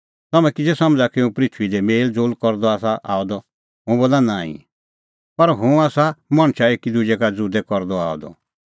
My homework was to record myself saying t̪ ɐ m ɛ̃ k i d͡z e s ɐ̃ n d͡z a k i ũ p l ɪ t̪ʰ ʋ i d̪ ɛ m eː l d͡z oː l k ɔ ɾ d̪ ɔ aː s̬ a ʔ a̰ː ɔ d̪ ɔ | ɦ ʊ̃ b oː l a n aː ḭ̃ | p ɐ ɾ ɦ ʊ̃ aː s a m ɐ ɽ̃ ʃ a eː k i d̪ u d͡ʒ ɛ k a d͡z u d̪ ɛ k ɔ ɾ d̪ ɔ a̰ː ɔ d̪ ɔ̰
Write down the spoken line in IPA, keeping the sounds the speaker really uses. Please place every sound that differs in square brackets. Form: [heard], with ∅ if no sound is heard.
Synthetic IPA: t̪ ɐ m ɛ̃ k i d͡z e s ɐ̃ [m] d͡z a k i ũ p [ɾ] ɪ t̪ʰ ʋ i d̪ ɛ m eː l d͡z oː l k ɔ ɾ d̪ ɔ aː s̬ a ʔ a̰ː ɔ d̪ ɔ | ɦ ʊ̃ b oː l a n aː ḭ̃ | p ɐ ɾ ɦ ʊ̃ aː s a m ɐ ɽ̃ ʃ a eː k i d̪ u d͡ʒ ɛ k a d͡z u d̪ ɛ k ɔ ɾ d̪ ɔ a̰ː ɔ d̪ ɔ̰

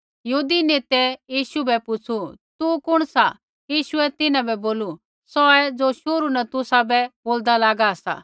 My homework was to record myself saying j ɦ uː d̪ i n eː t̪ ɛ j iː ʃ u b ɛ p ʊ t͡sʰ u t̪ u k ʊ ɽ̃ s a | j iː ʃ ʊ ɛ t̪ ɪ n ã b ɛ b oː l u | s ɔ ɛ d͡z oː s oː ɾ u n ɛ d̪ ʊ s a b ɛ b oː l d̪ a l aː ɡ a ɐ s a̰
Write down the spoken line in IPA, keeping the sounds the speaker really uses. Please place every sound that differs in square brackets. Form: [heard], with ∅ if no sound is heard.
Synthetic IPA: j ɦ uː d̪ i n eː t̪ ɛ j iː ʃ u b ɛ p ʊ t͡sʰ u t̪ u k ʊ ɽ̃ s a | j iː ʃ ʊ ɛ t̪ ɪ n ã b ɛ b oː l u | s ɔ ɛ d͡z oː [ʃ] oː ɾ u n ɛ [t̪] ʊ s a b ɛ b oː l d̪ a l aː ɡ a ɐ s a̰

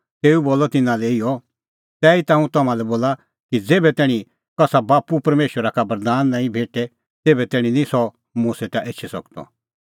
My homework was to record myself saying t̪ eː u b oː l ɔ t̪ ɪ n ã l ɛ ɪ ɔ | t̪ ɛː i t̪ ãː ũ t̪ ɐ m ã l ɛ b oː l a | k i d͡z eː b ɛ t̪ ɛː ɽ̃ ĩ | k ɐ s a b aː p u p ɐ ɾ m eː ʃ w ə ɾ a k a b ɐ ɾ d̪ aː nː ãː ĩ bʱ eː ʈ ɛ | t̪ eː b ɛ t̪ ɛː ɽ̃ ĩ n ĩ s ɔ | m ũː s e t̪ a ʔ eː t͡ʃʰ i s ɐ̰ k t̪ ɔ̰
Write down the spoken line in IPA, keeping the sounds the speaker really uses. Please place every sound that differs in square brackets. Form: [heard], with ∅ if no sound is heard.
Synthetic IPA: t̪ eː u b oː l ɔ t̪ ɪ n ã l ɛ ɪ ɔ | t̪ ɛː i t̪ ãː ũ t̪ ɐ m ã l ɛ b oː l a | k i d͡z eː b ɛ t̪ ɛː ɽ̃ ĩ | k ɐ s a b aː p u p ɐ ɾ m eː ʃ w ə ɾ a k a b ɐ ɾ d̪ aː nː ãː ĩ bʱ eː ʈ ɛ | t̪ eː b ɛ t̪ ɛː ɽ̃ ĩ n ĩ s ɔ | m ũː s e t̪ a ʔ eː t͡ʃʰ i s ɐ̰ k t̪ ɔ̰

